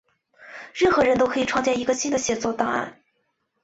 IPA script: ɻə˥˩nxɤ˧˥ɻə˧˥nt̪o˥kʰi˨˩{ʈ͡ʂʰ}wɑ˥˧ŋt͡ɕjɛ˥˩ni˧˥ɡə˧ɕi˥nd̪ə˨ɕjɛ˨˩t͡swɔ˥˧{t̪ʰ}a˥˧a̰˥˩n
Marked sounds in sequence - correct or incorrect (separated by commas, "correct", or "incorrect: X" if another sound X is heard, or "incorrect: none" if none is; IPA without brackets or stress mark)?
correct, incorrect: t̪